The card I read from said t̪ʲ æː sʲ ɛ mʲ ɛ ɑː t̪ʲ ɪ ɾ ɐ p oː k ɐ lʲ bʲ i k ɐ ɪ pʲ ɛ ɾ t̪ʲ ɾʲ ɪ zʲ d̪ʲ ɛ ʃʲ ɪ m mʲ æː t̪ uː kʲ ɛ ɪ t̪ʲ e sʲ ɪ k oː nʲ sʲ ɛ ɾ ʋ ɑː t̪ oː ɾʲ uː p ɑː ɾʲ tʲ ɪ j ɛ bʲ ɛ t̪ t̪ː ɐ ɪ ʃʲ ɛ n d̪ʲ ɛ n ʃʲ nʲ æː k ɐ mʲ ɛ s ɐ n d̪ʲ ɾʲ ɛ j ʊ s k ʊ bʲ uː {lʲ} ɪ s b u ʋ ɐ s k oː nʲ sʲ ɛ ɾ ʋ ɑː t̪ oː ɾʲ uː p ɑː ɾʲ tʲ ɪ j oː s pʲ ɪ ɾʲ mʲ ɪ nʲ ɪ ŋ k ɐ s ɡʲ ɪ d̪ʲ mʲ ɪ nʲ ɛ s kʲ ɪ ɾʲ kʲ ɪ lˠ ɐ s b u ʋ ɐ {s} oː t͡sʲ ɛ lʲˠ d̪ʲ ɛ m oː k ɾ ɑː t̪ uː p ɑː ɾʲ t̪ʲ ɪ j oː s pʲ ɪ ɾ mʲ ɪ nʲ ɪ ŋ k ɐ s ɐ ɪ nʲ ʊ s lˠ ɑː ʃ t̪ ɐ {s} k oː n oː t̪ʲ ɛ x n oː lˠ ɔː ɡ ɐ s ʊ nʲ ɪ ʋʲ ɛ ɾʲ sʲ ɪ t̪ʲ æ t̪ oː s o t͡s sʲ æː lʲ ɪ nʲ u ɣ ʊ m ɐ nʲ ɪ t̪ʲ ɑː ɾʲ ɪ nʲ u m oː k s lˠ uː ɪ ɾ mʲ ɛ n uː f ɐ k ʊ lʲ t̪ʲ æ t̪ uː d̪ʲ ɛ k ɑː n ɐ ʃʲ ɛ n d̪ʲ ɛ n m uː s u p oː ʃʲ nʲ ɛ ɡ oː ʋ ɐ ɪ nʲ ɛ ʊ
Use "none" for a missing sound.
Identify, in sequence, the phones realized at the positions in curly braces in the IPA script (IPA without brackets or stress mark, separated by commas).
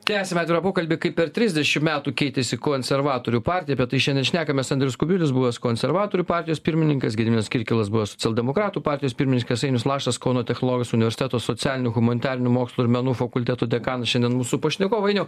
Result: lʲ, s, s